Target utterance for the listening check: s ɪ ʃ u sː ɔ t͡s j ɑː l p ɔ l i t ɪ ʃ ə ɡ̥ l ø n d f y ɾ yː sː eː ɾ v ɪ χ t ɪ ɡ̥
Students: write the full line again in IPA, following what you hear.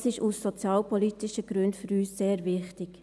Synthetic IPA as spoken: s ɪ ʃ u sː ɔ t͡s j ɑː l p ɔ l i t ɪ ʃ ə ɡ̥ ɾ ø n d f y ɾ yː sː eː ɾ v ɪ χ t ɪ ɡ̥